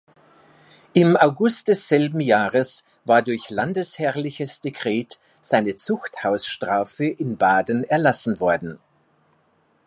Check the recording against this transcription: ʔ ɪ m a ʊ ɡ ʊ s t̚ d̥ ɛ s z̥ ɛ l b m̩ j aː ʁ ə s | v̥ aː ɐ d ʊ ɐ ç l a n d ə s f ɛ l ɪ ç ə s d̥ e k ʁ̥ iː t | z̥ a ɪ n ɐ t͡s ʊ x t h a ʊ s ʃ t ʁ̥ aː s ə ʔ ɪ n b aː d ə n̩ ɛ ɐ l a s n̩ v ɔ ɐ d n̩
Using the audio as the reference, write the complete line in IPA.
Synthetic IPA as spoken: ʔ ɪ m a ʊ ɡ ʊ s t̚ d̥ ɛ s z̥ ɛ l b m̩ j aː ʁ ə s | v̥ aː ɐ d ʊ ɐ ç l a n d ə s h ɛ l ɪ ç ə s d̥ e k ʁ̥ ɛː t | z̥ a ɪ n ə t͡s ʊ x t h a ʊ s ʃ t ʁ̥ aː f ə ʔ ɪ n b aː d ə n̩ ɛ ɐ l a s n̩ v ɔ ɐ d n̩

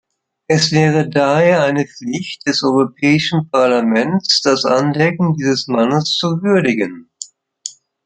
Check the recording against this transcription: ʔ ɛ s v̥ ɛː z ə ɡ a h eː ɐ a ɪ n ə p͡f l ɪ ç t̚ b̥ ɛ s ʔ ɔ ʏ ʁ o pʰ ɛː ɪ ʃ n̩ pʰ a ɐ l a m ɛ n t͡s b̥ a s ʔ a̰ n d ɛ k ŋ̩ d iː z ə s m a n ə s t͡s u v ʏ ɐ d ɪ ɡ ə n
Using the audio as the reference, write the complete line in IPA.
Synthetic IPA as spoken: ʔ ɛ s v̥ ɛː ʁ ə d a h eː ɐ a ɪ n ə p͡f l ɪ ç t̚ d̥ ɛ s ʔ ɔ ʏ ʁ o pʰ ɛː ɪ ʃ n̩ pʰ a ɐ l a m ɛ n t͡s d̥ a s ʔ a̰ n d ɛ k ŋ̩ d iː z ə s m a n ə s t͡s u v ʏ ɐ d ɪ ɡ ə n

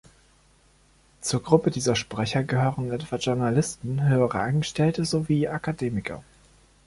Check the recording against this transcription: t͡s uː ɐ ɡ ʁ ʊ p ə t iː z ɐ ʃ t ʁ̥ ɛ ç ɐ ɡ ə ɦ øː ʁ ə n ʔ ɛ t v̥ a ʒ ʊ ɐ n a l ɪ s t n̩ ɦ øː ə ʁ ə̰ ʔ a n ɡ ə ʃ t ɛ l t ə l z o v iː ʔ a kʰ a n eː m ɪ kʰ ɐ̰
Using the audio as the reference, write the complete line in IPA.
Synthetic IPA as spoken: t͡s uː ɐ ɡ ʁ ʊ p ə d iː z ɐ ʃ p ʁ̥ ɛ ç ɐ ɡ ə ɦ øː ʁ ə n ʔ ɛ t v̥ a ʒ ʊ ɐ n a l ɪ s t n̩ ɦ øː ə ʁ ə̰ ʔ a n ɡ ə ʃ t ɛ l t ə z o v iː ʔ a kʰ a d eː m ɪ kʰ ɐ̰

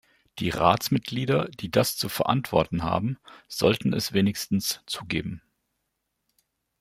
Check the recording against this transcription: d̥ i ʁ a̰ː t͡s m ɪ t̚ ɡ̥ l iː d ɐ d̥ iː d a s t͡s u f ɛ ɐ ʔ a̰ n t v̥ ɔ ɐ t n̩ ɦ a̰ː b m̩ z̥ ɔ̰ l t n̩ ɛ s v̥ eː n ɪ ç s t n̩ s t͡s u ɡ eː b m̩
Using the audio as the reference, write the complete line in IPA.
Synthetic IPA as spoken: d̥ iː ʁ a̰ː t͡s m ɪ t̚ ɡ̥ l iː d ɐ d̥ iː d a s t͡s u f ɛ ɐ ʔ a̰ n t v̥ ɔ ɐ t n̩ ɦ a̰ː b m̩ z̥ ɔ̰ l t n̩ ɛ s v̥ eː n ɪ ç s t n̩ s t͡s uː ɡ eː b m̩

